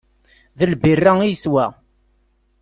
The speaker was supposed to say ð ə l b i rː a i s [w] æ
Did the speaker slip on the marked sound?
no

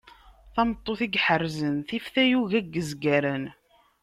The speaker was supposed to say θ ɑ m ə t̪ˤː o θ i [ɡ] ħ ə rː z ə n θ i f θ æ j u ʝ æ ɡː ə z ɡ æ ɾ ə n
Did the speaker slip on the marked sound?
no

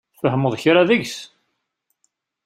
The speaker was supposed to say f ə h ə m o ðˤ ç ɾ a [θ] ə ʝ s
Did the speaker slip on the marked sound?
yes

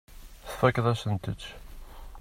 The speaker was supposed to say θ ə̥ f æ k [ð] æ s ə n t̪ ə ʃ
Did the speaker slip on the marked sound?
no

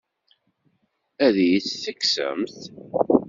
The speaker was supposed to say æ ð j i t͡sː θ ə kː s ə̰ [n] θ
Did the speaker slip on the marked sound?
yes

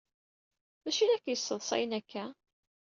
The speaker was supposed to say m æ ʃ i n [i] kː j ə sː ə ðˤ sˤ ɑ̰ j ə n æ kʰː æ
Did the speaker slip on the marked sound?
yes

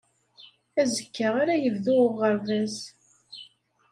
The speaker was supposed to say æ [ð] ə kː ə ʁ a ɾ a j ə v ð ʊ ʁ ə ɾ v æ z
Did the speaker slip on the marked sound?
yes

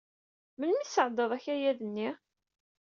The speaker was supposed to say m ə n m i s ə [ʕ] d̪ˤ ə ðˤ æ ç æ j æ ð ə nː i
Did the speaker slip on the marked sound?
no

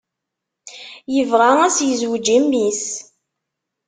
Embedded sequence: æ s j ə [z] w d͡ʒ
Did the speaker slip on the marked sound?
no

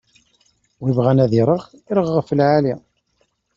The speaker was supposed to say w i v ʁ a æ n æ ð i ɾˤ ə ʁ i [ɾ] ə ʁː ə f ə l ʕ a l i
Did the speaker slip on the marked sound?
no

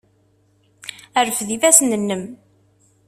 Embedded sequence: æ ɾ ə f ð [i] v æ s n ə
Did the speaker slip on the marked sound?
no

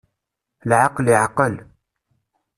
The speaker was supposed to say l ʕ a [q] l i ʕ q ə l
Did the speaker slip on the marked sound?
no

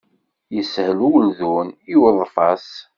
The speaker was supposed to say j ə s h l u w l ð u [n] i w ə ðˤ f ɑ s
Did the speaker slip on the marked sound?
no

